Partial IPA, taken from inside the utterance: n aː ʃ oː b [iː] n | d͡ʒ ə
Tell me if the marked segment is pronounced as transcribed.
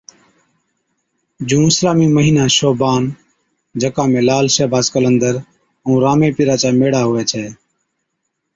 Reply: no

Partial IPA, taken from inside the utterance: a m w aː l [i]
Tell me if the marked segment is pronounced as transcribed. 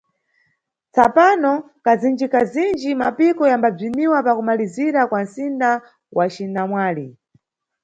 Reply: yes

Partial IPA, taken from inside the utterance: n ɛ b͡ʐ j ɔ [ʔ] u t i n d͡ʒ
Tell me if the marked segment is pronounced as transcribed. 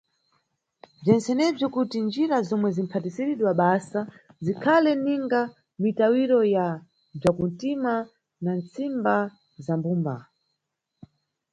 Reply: no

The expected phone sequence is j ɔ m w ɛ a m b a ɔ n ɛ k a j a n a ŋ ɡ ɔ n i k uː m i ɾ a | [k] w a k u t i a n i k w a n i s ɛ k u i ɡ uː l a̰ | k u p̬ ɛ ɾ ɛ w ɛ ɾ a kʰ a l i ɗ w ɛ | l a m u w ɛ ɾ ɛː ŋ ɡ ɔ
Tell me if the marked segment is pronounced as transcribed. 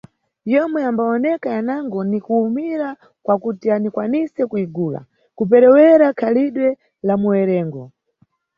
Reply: yes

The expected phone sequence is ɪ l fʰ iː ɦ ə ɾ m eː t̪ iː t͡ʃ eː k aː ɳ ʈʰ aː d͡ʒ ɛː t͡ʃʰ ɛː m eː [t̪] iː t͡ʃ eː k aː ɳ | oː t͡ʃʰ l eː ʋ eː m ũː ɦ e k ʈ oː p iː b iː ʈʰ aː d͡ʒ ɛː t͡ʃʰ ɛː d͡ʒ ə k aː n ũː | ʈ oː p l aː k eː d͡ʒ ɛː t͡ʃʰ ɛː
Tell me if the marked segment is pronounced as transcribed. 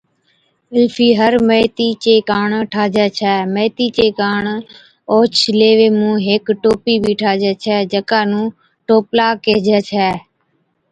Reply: yes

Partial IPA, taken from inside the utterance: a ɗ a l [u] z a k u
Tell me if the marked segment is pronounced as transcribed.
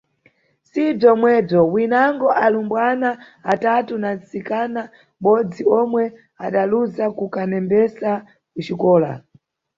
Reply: yes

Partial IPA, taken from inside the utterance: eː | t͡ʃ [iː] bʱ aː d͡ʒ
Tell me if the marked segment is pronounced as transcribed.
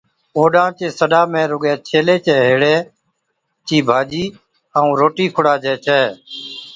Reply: yes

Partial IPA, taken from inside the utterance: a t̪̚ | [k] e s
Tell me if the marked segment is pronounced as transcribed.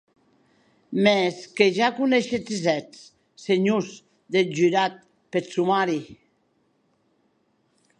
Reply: no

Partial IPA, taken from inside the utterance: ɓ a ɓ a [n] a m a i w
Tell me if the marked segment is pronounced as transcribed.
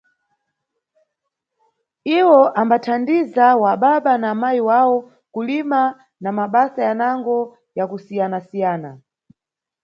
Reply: yes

